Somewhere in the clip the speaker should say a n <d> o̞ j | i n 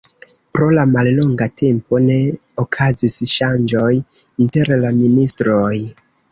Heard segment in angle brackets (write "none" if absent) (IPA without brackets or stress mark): d͡ʒ